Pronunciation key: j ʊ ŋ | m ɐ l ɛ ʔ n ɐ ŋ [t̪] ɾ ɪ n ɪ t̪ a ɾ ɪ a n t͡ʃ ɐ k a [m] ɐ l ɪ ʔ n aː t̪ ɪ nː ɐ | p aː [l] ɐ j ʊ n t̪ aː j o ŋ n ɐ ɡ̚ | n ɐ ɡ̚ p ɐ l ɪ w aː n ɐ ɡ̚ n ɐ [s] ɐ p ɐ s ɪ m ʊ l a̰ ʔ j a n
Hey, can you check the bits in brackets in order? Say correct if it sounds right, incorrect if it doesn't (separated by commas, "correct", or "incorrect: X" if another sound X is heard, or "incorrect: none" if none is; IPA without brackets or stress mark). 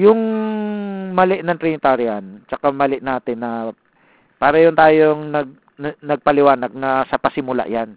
correct, correct, incorrect: ɾ, correct